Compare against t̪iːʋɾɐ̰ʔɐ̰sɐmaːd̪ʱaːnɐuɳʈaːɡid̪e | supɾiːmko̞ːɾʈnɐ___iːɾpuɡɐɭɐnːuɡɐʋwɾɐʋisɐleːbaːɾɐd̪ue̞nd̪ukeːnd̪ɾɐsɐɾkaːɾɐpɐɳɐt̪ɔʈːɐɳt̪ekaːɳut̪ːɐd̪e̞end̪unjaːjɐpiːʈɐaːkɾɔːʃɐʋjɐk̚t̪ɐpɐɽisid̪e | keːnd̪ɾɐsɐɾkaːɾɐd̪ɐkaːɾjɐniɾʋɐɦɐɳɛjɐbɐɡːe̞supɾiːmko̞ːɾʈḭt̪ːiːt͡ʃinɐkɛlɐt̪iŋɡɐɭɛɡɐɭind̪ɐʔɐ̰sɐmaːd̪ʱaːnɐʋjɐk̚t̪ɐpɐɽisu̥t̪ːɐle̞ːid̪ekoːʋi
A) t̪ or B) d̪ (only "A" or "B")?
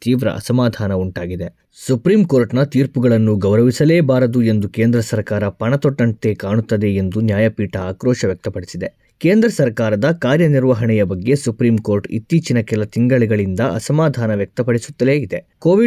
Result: A